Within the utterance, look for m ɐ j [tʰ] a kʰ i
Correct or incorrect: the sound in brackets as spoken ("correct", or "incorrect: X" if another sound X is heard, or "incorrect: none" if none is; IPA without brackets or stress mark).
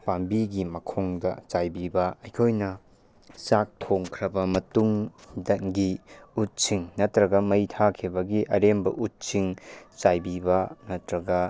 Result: correct